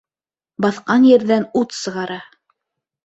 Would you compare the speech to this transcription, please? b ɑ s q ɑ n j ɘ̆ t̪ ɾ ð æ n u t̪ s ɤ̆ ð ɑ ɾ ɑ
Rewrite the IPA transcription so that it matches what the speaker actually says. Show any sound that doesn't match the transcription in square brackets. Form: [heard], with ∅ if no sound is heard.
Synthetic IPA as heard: b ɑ [θ] q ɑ n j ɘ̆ [∅] ɾ ð æ n u t̪ s ɤ̆ [ʁ] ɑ ɾ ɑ

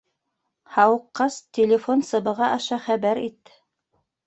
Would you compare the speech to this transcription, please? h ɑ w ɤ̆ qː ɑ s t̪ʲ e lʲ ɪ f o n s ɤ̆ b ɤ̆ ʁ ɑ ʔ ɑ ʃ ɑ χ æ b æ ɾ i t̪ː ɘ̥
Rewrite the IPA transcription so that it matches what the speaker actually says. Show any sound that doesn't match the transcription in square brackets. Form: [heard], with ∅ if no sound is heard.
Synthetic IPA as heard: h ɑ w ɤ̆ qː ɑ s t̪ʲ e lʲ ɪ f o n s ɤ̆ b ɤ̆ ʁ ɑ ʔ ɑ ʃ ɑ χ æ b æ ɾ i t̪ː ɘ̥

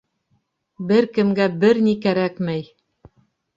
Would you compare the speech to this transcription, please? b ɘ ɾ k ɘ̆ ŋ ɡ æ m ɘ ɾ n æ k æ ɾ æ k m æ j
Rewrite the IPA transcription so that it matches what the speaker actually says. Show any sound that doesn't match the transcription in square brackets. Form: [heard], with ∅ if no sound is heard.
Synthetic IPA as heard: b ɘ ɾ k ɘ̆ [m] ɡ æ [b] ɘ ɾ n [i] k æ ɾ æ k m æ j

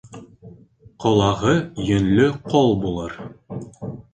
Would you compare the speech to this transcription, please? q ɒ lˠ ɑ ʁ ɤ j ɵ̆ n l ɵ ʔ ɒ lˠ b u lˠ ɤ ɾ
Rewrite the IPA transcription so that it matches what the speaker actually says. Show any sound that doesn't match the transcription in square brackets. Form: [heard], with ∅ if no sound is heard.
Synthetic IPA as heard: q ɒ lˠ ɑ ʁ ɤ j ɵ̆ n l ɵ [q] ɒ lˠ b u lˠ ɤ ɾ

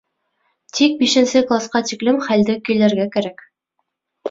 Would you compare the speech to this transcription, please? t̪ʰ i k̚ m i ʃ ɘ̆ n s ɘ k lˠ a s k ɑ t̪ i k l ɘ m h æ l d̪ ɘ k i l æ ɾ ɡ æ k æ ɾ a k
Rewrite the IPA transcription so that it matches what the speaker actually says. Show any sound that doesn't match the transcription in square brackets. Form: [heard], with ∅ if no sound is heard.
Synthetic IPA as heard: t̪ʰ i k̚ [b] i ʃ ɘ̆ n s ɘ k lˠ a s [q] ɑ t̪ i k l ɘ m [χ] æ l d̪ ɘ k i l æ ɾ ɡ æ k æ ɾ [æ] k

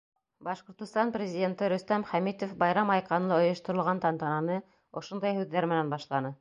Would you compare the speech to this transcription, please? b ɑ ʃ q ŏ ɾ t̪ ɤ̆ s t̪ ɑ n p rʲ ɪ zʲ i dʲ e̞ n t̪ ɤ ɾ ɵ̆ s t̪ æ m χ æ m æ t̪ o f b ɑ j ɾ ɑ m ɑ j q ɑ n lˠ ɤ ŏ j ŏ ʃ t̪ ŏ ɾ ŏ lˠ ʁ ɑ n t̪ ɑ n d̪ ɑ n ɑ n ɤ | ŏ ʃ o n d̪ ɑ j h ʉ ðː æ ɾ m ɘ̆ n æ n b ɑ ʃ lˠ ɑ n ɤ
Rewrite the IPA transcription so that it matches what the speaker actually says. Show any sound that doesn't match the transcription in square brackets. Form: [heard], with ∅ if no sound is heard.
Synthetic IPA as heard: b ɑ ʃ q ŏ ɾ t̪ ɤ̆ s t̪ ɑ n p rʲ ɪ zʲ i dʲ e̞ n t̪ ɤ ɾ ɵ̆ s t̪ æ m χ æ m [i] t̪ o f b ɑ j ɾ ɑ m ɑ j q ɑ n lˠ ɤ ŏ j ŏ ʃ t̪ ŏ ɾ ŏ lˠ ʁ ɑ n t̪ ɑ n [t̪] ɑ n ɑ n ɤ | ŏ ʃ o n d̪ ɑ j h ʉ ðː æ ɾ m ɘ̆ n æ n b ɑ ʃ lˠ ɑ n ɤ

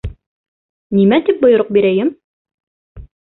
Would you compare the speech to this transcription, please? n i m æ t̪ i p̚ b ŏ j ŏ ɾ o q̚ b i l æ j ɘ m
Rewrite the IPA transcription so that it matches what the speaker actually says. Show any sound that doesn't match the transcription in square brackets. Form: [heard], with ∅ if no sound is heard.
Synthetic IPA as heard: n i m æ t̪ i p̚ b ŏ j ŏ ɾ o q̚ b i [ɾ] æ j ɘ m

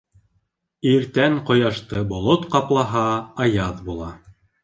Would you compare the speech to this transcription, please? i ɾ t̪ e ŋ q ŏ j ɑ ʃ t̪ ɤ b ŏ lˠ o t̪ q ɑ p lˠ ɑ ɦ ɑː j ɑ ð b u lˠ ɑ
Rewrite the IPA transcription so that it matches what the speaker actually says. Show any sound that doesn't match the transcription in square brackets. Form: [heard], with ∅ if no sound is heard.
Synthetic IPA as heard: i ɾ t̪ [æ] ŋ q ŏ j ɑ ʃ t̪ ɤ b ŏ lˠ o t̪ q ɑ p lˠ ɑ ɦ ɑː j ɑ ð b u lˠ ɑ

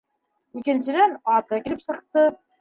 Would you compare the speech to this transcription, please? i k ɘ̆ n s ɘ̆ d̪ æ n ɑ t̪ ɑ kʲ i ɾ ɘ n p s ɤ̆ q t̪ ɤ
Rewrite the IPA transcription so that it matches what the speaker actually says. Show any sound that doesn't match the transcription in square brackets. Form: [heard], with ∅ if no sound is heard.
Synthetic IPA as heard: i k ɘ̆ n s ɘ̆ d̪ æ n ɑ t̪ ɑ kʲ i [l] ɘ [∅] p s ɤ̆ q t̪ ɤ

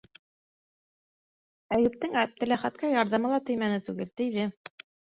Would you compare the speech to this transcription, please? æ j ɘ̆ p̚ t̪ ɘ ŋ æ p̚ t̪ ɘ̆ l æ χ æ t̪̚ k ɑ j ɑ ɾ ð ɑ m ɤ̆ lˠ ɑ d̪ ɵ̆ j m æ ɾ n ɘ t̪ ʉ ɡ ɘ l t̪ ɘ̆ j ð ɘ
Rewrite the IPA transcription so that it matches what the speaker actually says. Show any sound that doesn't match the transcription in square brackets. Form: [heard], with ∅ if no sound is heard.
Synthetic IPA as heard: æ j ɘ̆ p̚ t̪ ɘ ŋ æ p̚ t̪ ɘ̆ l æ χ æ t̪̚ k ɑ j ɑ ɾ ð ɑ m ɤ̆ lˠ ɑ [t̪] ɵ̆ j m æ [∅] n ɘ t̪ ʉ ɡ ɘ l t̪ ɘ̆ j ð ɘ

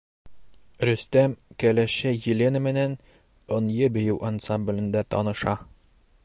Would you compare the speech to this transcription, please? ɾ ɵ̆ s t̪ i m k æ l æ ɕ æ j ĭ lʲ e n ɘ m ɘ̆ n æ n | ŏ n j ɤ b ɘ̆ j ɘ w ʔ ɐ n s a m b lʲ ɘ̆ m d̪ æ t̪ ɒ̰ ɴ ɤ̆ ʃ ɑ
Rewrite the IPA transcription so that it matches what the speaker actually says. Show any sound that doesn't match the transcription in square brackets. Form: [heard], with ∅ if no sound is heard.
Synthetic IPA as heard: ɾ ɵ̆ s t̪ [æ] m k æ l æ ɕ æ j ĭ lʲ e n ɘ m ɘ̆ n æ n | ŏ n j ɤ b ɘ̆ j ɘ w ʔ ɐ n s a m b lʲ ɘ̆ [n] d̪ æ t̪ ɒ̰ [n] ɤ̆ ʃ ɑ

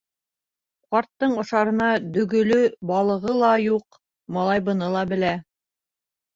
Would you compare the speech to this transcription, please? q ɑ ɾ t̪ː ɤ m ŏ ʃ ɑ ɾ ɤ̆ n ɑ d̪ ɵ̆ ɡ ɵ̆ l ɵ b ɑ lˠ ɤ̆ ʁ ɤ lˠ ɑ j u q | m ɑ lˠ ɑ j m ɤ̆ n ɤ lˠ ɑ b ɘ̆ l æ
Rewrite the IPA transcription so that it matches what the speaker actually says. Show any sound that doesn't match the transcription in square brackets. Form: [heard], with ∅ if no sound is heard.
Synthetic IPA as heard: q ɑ ɾ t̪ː ɤ [ɴ] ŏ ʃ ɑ ɾ ɤ̆ n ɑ d̪ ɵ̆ ɡ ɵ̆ l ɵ b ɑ lˠ ɤ̆ ʁ ɤ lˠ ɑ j u q | m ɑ lˠ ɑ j [b] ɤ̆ n ɤ lˠ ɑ b ɘ̆ l æ

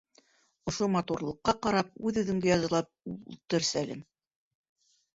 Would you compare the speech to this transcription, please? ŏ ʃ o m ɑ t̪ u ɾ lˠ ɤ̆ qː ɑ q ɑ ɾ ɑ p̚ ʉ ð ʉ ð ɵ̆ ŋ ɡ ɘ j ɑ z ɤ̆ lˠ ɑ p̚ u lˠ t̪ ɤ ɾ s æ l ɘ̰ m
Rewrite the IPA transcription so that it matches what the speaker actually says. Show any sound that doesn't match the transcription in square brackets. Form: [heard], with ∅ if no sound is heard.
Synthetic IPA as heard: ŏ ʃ o m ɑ t̪ u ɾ lˠ ɤ̆ qː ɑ q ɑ ɾ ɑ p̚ ʉ ð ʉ ð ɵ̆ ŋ ɡ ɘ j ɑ z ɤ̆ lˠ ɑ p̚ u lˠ t̪ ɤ ɾ s æ l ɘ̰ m

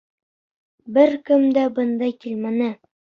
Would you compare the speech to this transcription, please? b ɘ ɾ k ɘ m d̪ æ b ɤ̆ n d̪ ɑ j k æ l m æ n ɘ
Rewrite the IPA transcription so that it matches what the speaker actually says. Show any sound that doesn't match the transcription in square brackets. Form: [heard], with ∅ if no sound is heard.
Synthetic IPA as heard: b ɘ ɾ k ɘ m d̪ æ b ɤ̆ n d̪ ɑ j k [i] l m æ n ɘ

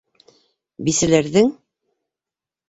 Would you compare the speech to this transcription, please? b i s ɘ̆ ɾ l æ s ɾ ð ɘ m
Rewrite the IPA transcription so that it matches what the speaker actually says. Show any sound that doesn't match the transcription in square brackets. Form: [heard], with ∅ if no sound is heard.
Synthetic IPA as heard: b i s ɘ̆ [∅] l æ [∅] ɾ ð ɘ [ŋ]

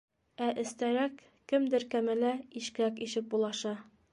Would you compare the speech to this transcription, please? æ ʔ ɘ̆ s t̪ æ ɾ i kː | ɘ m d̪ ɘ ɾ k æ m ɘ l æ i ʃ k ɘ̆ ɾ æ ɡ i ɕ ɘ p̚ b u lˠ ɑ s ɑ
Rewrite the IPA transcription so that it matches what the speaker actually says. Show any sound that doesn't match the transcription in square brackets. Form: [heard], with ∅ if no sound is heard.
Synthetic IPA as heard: æ ʔ ɘ̆ s t̪ æ ɾ [æ] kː | ɘ m d̪ ɘ ɾ k æ m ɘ l æ i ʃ k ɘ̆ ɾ æ [k] i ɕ ɘ p̚ b u lˠ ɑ [ʃ] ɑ

